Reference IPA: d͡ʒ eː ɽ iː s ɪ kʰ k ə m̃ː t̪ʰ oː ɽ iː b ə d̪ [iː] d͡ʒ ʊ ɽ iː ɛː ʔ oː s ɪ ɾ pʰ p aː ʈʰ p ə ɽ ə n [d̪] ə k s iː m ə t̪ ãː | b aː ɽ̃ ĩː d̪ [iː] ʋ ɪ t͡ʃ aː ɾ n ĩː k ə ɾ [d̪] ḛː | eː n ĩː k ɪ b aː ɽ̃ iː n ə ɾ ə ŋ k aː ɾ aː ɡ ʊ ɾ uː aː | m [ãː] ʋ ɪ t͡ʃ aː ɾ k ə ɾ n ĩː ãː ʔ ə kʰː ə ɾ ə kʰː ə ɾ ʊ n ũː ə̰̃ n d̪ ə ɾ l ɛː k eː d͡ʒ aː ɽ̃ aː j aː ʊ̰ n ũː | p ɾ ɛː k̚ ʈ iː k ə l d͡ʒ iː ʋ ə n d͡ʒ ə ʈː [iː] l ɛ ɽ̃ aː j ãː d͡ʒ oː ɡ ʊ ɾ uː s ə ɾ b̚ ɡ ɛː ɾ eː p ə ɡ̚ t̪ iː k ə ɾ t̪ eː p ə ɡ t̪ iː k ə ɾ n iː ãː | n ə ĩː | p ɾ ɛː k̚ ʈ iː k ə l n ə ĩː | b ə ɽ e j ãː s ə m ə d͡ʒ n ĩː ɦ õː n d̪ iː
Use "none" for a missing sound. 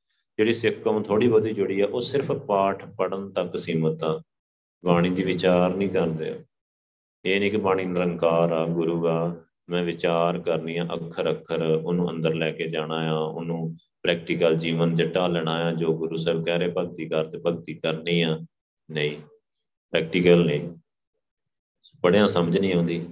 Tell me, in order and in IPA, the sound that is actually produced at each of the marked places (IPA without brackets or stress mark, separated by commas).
iː, t̪, iː, d̪, ɛ̃ː, aː